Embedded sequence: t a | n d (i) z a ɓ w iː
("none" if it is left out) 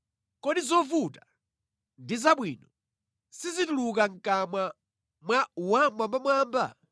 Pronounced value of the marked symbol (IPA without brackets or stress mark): i